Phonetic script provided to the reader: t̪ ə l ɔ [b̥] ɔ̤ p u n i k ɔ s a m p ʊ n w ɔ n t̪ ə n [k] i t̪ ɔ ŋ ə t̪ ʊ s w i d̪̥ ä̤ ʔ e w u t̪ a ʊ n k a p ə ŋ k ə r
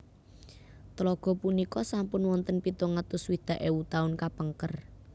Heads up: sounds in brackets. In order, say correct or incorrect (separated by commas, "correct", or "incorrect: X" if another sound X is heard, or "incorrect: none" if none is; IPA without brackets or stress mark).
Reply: incorrect: ɡ̥, incorrect: p